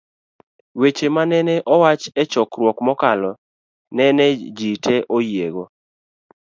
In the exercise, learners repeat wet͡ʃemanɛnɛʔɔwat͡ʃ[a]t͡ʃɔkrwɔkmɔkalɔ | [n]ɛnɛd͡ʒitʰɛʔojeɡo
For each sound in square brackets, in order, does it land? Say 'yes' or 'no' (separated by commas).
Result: no, yes